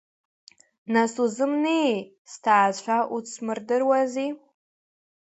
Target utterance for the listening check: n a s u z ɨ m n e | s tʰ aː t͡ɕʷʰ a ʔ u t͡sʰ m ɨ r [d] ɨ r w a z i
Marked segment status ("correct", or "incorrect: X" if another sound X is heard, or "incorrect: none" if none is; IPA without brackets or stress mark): correct